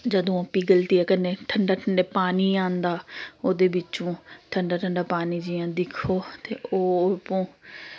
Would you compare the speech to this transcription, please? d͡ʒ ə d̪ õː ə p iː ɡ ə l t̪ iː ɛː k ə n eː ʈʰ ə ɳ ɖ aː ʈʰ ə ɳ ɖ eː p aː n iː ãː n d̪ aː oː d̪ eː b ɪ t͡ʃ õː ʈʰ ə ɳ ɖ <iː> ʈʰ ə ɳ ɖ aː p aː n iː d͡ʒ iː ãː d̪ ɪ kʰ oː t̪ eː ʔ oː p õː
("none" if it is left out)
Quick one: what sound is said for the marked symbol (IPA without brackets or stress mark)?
aː